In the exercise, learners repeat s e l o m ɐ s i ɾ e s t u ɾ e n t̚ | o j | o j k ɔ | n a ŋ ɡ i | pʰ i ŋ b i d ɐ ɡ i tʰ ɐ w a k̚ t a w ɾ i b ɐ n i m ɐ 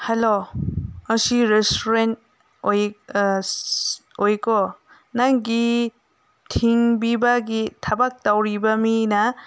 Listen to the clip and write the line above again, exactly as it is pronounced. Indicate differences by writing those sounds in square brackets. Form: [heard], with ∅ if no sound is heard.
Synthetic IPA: [h] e l o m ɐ s i ɾ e s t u ɾ e n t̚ | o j | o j k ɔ | n a ŋ ɡ i | [tʰ] i ŋ b i [b] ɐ ɡ i tʰ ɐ [b] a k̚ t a w ɾ i b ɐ [m] i [n] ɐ